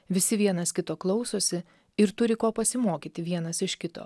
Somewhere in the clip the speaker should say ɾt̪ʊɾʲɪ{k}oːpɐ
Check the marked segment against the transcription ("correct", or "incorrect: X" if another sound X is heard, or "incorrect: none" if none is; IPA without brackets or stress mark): correct